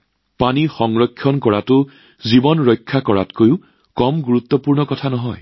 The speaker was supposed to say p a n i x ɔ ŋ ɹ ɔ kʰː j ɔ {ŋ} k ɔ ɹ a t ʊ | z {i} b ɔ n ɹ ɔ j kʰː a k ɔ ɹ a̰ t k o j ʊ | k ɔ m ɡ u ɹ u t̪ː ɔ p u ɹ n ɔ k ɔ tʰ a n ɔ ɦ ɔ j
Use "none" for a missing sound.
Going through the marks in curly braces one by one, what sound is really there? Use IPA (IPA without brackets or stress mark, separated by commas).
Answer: n, i